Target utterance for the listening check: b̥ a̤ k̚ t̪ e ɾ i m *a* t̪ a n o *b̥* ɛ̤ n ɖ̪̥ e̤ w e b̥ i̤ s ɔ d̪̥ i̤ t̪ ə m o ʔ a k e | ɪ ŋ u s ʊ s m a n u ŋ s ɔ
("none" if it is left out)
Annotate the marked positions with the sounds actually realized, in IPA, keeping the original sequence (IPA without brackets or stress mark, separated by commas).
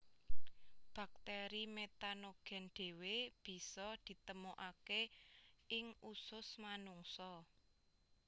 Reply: e, ɡ̥